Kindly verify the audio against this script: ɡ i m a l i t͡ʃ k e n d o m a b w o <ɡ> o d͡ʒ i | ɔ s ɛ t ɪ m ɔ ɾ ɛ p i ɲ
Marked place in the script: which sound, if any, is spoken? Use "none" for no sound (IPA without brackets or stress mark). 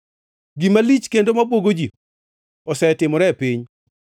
ɡ